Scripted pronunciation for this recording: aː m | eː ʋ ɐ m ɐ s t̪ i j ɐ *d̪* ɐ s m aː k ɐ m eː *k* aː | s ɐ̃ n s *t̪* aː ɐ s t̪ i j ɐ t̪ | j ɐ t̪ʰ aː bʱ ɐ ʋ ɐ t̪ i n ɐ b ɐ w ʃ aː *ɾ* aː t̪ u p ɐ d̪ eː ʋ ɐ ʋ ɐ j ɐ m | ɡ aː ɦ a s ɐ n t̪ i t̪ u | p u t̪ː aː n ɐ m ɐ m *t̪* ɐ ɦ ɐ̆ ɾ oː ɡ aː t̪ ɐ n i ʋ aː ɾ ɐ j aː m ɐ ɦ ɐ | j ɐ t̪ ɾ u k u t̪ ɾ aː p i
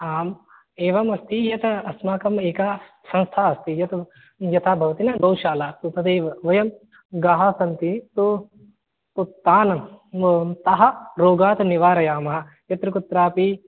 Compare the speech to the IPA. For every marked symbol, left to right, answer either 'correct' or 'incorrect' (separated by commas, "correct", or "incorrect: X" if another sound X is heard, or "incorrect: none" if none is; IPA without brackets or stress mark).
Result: incorrect: t̪, correct, incorrect: t̪ʰ, incorrect: l, correct